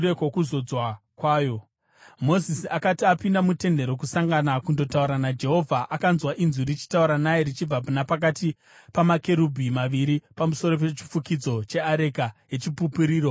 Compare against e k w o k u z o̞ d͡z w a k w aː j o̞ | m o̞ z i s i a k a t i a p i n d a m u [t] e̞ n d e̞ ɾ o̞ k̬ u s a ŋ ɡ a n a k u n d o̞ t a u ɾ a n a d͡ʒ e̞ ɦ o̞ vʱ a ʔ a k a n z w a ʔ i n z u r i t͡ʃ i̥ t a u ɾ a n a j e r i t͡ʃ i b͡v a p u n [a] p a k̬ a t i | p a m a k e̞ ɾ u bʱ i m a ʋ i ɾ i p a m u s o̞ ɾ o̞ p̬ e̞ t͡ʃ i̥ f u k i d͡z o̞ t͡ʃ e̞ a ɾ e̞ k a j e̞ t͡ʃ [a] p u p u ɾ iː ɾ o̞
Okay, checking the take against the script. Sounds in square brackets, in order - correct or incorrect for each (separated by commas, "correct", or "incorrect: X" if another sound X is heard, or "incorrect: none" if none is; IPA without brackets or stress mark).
correct, correct, incorrect: i